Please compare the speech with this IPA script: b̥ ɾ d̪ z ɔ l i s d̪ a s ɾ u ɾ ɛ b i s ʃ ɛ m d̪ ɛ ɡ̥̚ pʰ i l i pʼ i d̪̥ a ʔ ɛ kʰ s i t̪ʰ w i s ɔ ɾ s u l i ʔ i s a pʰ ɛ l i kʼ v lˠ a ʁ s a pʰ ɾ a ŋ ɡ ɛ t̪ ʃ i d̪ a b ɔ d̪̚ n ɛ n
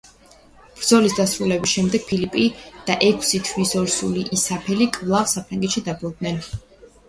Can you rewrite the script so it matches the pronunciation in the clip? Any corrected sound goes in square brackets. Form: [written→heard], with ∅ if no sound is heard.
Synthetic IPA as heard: b̥ ɾ d̪ z ɔ l i s d̪ a s ɾ u [ɾ→l] ɛ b i s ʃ ɛ m d̪ ɛ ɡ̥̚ pʰ i l i pʼ i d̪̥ a ʔ ɛ kʰ s i t̪ʰ w i s ɔ ɾ s u l i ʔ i s a pʰ ɛ l i kʼ v lˠ a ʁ s a pʰ ɾ a ŋ ɡ ɛ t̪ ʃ i d̪ a b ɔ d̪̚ n ɛ n